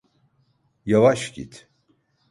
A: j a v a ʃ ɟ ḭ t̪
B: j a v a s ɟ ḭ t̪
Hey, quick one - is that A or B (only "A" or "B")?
A